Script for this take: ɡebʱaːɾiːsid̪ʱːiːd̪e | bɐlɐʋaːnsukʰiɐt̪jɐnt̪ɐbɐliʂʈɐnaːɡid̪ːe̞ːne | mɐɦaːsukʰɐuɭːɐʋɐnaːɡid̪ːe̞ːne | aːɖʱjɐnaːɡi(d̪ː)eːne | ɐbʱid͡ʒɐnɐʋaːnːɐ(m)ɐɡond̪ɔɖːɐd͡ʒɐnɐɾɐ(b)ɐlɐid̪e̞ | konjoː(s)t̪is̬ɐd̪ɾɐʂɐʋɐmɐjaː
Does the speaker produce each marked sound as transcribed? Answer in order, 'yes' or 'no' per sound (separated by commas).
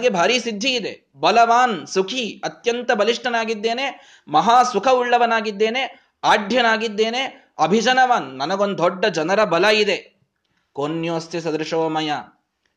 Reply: yes, no, yes, yes